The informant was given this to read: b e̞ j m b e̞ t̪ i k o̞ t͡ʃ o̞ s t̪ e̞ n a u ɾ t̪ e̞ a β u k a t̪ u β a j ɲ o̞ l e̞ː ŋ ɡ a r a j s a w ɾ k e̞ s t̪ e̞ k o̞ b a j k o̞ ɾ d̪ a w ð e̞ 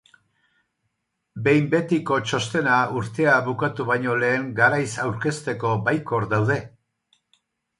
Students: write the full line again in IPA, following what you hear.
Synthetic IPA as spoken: b e̞ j m b e̞ t̪ i k o̞ t͡ʃ o̞ s t̪ e̞ n a u ɾ t̪ e̞ a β u k a t̪ u β a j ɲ o̞ l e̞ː ŋ ɡ a ɾ a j s a w ɾ k e̞ s t̪ e̞ k o̞ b a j k o̞ ɾ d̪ a w ð e̞